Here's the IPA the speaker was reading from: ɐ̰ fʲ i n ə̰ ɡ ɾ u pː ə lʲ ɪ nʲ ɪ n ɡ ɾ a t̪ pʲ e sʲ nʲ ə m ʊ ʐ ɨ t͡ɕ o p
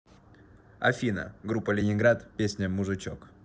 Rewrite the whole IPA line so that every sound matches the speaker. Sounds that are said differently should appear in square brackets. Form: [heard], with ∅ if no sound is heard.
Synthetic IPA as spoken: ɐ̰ fʲ i n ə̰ ɡ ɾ u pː ə lʲ ɪ nʲ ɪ n ɡ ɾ a t̪ pʲ e sʲ nʲ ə m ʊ ʐ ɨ t͡ɕ o [k]